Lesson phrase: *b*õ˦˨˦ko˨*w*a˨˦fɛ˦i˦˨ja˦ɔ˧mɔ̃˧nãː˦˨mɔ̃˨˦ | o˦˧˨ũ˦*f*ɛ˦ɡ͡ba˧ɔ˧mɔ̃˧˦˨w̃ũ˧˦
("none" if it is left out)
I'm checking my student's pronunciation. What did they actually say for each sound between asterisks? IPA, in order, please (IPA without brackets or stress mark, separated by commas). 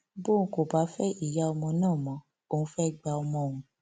b, b, f